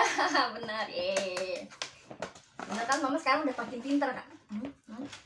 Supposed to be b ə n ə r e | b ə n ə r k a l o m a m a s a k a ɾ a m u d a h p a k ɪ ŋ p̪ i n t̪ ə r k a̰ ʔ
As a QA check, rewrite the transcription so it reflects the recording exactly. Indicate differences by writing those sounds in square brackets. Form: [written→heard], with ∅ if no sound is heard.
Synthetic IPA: b ə n ə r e | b ə n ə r k a l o m a m a s [a→ə] k a ɾ a [m→ŋ] u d a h p a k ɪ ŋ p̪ i n t̪ ə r k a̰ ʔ

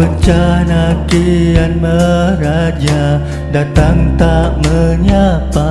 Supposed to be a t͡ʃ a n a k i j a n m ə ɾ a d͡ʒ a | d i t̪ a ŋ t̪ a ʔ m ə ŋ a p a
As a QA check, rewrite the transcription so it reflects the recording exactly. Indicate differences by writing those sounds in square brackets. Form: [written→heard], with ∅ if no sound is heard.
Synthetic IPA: [a→ə] t͡ʃ a n a k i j a n m ə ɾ a d͡ʒ a | d [i→a] t̪ a ŋ t̪ a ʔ m ə [ŋ→ɲ] a p a

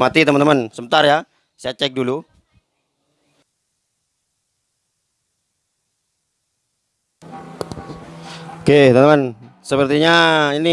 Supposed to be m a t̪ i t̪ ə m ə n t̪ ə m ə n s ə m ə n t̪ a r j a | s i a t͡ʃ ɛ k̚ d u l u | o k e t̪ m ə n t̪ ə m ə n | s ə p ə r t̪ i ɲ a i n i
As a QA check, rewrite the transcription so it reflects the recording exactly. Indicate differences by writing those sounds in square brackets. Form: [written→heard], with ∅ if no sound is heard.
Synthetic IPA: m a t̪ i t̪ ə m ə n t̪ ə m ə n s ə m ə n t̪ a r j a | s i a t͡ʃ ɛ k̚ d u l u | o k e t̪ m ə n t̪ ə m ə n | s ə p ə r t̪ i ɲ a i n i

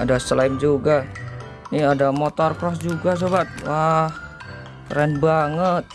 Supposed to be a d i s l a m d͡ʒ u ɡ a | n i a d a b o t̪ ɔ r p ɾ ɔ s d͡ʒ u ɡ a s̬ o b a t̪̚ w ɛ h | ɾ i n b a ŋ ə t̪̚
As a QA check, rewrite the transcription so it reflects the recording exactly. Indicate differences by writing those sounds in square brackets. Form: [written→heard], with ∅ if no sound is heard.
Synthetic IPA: a d [i→a] s l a m d͡ʒ u ɡ a | n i a d a [b→m] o t̪ ɔ r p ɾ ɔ s d͡ʒ u ɡ a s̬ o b a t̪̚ w [ɛ→a] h | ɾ [i→ɛ] n b a ŋ ə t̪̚

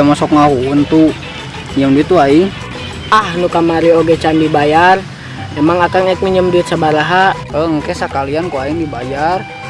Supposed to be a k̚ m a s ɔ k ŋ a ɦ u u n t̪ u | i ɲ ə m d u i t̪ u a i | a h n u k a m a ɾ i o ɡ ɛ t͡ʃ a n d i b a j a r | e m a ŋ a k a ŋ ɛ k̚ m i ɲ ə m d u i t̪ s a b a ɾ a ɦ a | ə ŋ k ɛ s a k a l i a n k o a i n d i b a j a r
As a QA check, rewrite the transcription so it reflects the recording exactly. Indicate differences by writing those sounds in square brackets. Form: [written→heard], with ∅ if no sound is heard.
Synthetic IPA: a [k̚→∅] m a s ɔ k ŋ a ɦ u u n t̪ u | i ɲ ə m d u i t̪ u a i | a h n u k a m a ɾ i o ɡ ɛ t͡ʃ a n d i b a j a r | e m a ŋ a k a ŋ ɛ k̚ m i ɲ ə m d u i t̪ s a b a ɾ a ɦ a | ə ŋ k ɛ s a k a l i a n k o a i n d i b a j a r

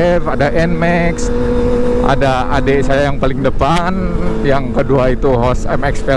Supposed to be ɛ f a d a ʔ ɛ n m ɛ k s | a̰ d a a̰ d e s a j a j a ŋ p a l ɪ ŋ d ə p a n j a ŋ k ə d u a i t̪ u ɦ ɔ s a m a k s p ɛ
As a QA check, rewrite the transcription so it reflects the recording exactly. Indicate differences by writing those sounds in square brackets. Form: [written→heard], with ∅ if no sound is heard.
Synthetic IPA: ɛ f a d a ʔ ɛ n m ɛ k s | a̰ d a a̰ d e s a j a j a ŋ p a l ɪ ŋ d ə p a n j a ŋ k ə d u a i t̪ u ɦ ɔ s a m [a→ɛ] k s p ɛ

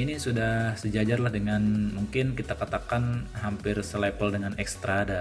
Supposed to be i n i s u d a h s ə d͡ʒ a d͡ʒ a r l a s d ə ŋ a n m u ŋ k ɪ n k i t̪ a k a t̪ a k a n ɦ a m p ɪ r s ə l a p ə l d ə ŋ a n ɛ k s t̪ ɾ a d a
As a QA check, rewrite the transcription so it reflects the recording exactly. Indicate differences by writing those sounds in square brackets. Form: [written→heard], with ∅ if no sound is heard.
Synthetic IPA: i n i s u d a h s ə d͡ʒ a d͡ʒ a r l a [s→h] d ə ŋ a n m u ŋ k ɪ n k i t̪ a k a t̪ a k a n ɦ a m p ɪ r s ə l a p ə l d ə ŋ a n ɛ k s t̪ ɾ a d a

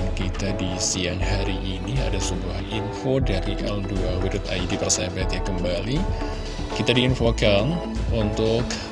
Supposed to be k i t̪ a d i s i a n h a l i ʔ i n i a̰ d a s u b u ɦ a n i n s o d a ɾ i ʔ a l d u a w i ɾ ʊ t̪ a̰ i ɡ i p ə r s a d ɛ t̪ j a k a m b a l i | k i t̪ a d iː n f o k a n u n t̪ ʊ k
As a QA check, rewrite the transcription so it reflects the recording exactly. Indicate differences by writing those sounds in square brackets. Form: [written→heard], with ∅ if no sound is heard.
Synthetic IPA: k i t̪ a d i s i a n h a [l→ɾ] i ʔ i n i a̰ d a s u b u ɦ a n i n [s→f] o d a ɾ i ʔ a l d u a w i ɾ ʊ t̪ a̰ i [ɡ→d] i p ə r s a [d→b] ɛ t̪ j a k [a→ə] m b a l i | k i t̪ a d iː n f o k a n u n t̪ ʊ k

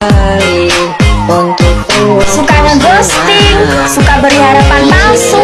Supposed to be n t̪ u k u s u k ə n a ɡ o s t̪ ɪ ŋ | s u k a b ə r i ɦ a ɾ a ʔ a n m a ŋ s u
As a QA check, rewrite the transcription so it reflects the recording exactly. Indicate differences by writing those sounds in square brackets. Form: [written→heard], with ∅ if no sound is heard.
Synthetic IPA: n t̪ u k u s u k [ə→a] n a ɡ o s t̪ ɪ ŋ | s u k a b ə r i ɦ a ɾ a [ʔ→p] a n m a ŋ s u

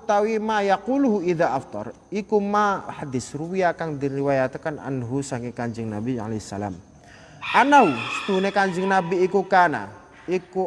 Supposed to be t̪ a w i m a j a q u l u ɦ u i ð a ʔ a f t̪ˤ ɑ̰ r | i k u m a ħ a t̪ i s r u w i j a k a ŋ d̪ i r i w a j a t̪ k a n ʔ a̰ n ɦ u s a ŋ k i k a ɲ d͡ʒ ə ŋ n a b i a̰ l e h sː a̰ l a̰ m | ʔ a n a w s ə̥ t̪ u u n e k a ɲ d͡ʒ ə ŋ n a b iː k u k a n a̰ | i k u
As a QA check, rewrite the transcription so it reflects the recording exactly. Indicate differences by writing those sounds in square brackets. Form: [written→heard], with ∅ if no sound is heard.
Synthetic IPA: t̪ a w i m a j a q u l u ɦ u i ð a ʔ a f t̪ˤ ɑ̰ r | i k u m a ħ a [t̪→d̪] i s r u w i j a k a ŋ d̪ i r i w a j a t̪ k a n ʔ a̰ n ɦ u s a ŋ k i k a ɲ d͡ʒ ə ŋ n a b i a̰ l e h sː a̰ l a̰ m | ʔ a n a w s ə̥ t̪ u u n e k a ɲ d͡ʒ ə ŋ n a b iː k u k a n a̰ | i k u

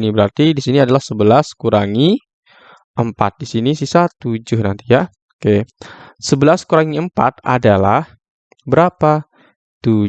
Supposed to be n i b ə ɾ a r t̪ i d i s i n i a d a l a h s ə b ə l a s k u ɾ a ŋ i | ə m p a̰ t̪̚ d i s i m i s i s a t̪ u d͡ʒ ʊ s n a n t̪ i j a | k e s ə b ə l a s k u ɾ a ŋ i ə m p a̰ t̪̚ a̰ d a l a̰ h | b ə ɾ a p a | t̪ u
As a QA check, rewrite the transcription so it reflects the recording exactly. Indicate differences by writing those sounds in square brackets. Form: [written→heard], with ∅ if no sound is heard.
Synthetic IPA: n i b ə ɾ a r t̪ i d i s i n i a d a l a h s ə b ə l a s k u ɾ a ŋ i | ə m p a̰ t̪̚ d i s i [m→n] i s i s a t̪ u d͡ʒ ʊ [s→h] n a n t̪ i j a | k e s ə b ə l a s k u ɾ a ŋ i ə m p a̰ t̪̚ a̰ d a l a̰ h | b ə ɾ a p a | t̪ u

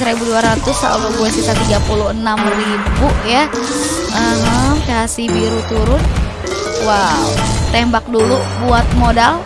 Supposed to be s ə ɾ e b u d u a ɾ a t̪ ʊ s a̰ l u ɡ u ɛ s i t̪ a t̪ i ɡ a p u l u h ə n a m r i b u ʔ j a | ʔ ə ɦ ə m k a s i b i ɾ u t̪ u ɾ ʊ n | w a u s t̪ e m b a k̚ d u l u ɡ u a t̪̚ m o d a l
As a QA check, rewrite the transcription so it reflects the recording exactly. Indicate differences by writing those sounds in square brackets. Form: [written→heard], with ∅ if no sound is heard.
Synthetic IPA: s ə ɾ e b u d u a ɾ a t̪ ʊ s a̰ l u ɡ u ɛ s i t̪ a t̪ i ɡ a p u l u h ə n a m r i b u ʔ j a | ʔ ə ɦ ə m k a s i b i ɾ u t̪ u ɾ ʊ n | w a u [s→∅] t̪ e m b a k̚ d u l u [ɡ→b] u a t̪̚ m o d a l

